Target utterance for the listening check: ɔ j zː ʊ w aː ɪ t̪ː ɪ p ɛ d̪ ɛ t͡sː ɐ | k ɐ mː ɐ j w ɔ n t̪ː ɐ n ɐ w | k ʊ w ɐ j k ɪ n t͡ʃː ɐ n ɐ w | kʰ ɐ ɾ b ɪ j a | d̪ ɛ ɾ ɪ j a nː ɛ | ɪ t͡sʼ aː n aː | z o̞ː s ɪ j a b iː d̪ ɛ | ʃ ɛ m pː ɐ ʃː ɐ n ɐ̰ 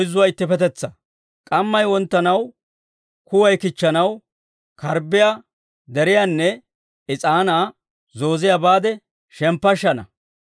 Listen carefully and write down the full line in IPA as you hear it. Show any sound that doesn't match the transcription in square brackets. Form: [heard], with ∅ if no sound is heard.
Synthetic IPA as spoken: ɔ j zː ʊ w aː ɪ t̪ː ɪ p ɛ [t̪] ɛ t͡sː ɐ | [kʼ] ɐ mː ɐ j w ɔ n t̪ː ɐ n ɐ w | k ʊ w ɐ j k ɪ [∅] t͡ʃː ɐ n ɐ w | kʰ ɐ ɾ b ɪ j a | d̪ ɛ ɾ ɪ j a nː ɛ | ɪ t͡sʼ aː n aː | z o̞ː [z] ɪ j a b [aː] d̪ ɛ | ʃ ɛ m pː ɐ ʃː ɐ n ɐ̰